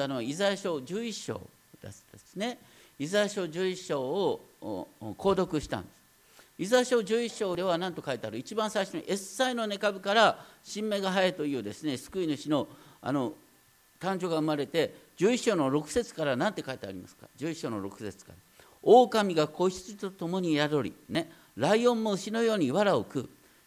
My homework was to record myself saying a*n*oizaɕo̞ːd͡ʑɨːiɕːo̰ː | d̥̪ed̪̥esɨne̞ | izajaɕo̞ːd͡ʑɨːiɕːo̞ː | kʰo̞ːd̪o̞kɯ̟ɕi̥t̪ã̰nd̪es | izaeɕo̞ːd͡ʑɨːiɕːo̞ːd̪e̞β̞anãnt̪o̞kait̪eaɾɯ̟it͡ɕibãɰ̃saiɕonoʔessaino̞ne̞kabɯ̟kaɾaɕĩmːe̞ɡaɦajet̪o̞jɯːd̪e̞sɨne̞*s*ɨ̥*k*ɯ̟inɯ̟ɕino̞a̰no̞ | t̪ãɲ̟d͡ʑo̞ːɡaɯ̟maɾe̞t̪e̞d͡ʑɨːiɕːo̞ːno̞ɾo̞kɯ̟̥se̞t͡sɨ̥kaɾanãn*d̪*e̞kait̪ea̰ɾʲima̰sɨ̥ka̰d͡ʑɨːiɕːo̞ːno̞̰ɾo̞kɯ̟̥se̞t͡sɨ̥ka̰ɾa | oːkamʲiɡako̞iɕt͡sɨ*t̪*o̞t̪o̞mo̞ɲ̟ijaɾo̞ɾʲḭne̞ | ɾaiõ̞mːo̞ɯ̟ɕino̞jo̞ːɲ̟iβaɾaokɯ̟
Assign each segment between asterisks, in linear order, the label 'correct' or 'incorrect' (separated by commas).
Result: correct, correct, correct, incorrect, correct